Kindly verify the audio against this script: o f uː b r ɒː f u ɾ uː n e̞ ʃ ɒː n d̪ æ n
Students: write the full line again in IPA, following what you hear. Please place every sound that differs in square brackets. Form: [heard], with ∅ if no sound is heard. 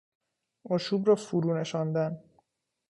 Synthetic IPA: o [ʃ] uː b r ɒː f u ɾ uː n e̞ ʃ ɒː n d̪ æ n